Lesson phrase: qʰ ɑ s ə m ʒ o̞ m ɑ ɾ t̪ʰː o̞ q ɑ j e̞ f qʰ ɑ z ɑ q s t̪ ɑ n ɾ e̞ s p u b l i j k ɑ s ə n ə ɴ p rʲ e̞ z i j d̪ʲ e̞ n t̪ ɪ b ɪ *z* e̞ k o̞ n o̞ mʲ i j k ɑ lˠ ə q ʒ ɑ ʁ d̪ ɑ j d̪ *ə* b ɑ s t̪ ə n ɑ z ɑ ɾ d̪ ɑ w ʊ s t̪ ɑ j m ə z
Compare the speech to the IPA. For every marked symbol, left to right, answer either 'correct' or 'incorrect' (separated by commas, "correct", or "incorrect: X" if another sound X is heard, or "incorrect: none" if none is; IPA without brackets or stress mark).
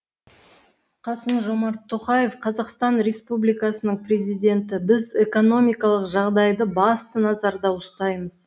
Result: correct, correct